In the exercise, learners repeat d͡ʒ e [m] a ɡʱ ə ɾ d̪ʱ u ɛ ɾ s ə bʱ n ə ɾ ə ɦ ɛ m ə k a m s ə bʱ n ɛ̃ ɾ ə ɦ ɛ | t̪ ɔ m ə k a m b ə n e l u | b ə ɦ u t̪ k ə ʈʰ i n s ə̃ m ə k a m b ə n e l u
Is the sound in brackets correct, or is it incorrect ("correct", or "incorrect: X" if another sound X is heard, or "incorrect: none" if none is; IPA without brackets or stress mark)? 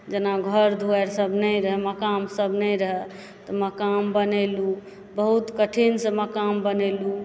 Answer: incorrect: n